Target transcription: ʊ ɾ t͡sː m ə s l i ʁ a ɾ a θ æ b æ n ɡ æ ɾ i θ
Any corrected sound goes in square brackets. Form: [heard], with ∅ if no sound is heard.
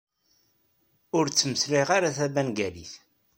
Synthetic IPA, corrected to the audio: ʊ ɾ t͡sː m ə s l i ʁ a ɾ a θ æ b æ n ɡ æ [l] i θ